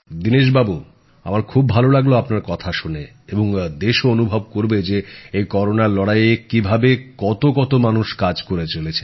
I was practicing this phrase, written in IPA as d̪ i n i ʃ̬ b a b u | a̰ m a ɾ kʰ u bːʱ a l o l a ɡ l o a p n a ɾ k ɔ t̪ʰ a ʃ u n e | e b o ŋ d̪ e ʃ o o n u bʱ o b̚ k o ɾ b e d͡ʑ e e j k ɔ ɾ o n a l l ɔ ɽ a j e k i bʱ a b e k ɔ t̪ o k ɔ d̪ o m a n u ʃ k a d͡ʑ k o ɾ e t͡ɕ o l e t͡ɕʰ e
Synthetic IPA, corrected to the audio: d̪ i n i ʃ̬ b a b u | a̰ m a ɾ kʰ u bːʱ a l o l a ɡ l o a p n a ɾ k ɔ t̪ʰ a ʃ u n e | e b o ŋ d̪ e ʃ o o n u bʱ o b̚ k o ɾ b e d͡ʑ e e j k ɔ ɾ o n a ɾ l ɔ ɽ a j e k i bʱ a b e k ɔ t̪ o k ɔ t̪ o m a n u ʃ k a d͡ʑ k o ɾ e t͡ɕ o l e t͡ɕʰ e

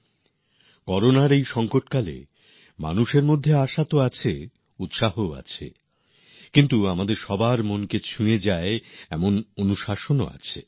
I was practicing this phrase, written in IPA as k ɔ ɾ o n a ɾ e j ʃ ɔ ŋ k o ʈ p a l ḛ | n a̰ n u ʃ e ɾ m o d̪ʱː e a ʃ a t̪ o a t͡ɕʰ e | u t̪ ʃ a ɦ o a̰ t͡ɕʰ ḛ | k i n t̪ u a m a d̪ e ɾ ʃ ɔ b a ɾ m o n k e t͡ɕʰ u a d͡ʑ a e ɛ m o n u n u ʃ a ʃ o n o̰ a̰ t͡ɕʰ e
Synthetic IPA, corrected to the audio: k ɔ ɾ o n a ɾ e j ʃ ɔ ŋ k o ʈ k a l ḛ | m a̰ n u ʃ e ɾ m o d̪ʱː e a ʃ a t̪ o a t͡ɕʰ e | u t̪ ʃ a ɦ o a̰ t͡ɕʰ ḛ | k i n t̪ u a m a d̪ e ɾ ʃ ɔ b a ɾ m o n k e t͡ɕʰ u e d͡ʑ a e ɛ m o n o n u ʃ a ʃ o n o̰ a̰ t͡ɕʰ e

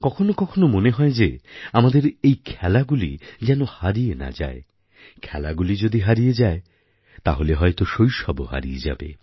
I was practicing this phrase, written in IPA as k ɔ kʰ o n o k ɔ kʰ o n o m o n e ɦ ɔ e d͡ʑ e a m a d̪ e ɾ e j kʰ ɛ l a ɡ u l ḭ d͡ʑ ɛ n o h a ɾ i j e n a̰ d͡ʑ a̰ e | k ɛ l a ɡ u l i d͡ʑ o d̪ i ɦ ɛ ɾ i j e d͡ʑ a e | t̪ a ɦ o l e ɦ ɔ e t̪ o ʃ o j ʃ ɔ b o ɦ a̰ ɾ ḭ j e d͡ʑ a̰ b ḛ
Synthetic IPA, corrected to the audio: k ɔ kʰ o n o k ɔ kʰ o n o m o n e ɦ ɔ e d͡ʑ e a m a d̪ e ɾ e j kʰ ɛ l a ɡ u l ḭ d͡ʑ ɛ n o h a ɾ i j e n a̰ d͡ʑ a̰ e | kʰ ɛ l a ɡ u l i d͡ʑ o d̪ i ɦ a ɾ i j e d͡ʑ a e | t̪ a ɦ o l e ɦ ɔ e t̪ o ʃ o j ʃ ɔ b o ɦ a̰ ɾ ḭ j e d͡ʑ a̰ b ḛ

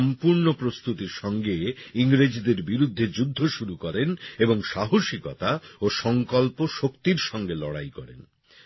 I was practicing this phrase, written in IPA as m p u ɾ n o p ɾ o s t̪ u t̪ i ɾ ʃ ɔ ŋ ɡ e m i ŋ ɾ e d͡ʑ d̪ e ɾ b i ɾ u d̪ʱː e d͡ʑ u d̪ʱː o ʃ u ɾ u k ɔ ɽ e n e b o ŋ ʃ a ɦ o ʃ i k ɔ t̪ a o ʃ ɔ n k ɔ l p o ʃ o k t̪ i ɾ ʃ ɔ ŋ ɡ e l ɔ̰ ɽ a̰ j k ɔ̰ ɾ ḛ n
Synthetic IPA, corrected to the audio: m p u ɾ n o p ɾ o s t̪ u t̪ i ɾ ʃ ɔ ŋ ɡ e i ŋ ɾ e d͡ʑ d̪ e ɾ b i ɾ u d̪ʱː e d͡ʑ u d̪ʱː o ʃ u ɾ u k ɔ ɾ e n e b o ŋ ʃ a ɦ o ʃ i k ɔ t̪ a o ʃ ɔ ŋ k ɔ l p o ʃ o k t̪ i ɾ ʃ ɔ ŋ ɡ e l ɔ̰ ɽ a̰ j k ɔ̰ ɾ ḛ n

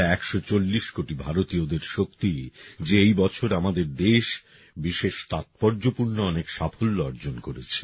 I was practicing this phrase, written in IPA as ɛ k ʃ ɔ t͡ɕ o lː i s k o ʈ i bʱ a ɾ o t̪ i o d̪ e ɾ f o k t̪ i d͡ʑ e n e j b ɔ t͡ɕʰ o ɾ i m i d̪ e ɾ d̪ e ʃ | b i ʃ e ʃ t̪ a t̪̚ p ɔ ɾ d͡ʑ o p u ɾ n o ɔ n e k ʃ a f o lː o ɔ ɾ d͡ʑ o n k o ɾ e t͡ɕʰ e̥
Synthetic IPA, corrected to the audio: ɛ k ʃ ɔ t͡ɕ o lː i ʃ k o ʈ i bʱ a ɾ o t̪ i o d̪ e ɾ ʃ o k t̪ i d͡ʑ e e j b ɔ t͡ɕʰ o ɾ a m a d̪ e ɾ d̪ e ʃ | b i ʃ e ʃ t̪ a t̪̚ p ɔ ɾ d͡ʑ o p u ɾ n o ɔ n e k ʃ a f o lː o ɔ ɾ d͡ʑ o n k o ɾ e t͡ɕʰ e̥

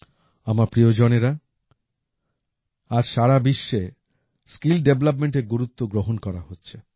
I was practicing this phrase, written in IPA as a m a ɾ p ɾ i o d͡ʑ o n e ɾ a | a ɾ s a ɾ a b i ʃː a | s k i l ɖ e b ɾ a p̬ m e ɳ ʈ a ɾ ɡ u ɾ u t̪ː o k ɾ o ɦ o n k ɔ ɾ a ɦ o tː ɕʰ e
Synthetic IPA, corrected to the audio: a m a ɾ p ɾ i o d͡ʑ o n e ɾ a | a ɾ ʃ a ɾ a b i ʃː e | s k i l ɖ e b l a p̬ m e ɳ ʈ e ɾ ɡ u ɾ u t̪ː o ɡ ɾ o ɦ o n k ɔ ɾ a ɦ o tː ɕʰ e

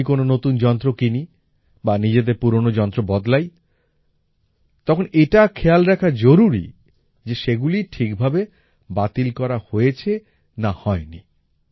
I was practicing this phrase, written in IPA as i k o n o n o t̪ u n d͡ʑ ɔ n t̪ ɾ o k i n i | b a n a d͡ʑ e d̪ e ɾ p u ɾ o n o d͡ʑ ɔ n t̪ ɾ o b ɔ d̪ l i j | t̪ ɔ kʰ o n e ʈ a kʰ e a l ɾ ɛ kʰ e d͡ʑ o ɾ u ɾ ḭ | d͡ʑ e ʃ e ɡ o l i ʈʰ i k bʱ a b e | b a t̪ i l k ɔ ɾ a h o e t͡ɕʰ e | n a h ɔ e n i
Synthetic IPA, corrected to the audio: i k o n o n o t̪ u n d͡ʑ ɔ n t̪ ɾ o k i n i | b a n i d͡ʑ e d̪ e ɾ p u ɾ o n o d͡ʑ ɔ n t̪ ɾ o b ɔ d̪ l a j | t̪ ɔ kʰ o n e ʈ a kʰ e a l ɾ ɛ kʰ a d͡ʑ o ɾ u ɾ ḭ | d͡ʑ e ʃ e ɡ u l i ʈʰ i k bʱ a b e | b a t̪ i l k ɔ ɾ a h o e t͡ɕʰ e | n a h ɔ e n i

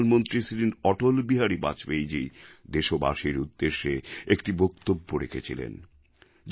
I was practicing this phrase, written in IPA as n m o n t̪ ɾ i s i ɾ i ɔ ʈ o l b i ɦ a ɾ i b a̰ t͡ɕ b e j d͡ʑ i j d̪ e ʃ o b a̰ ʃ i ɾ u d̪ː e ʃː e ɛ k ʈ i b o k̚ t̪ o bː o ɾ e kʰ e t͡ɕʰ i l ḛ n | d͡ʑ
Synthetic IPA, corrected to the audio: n m o n t̪ ɾ i s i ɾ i ɔ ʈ o l b i ɦ a ɾ i b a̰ t͡ɕ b e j d͡ʑ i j d̪ e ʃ o b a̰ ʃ i ɾ u d̪ː e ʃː e e k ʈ i b o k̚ t̪ o bː o ɾ e kʰ e t͡ɕʰ i l ḛ n | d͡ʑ

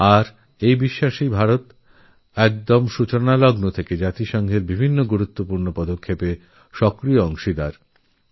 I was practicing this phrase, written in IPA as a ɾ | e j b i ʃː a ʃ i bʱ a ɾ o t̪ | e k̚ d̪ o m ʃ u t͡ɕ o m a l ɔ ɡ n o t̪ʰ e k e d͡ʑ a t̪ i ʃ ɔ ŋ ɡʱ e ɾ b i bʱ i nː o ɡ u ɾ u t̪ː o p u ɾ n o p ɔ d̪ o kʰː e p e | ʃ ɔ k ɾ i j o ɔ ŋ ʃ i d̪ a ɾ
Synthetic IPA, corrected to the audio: a ɾ | e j b i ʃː a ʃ i bʱ a ɾ o t̪ | ɛ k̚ d̪ o m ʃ u t͡ɕ o n a l ɔ ɡ n o t̪ʰ e k e d͡ʑ a t̪ i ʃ ɔ ŋ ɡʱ e ɾ b i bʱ i nː o ɡ u ɾ u t̪ː o p u ɾ n o p ɔ d̪ o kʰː e p e | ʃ ɔ k ɾ i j o ɔ ŋ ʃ i d̪ a ɾ

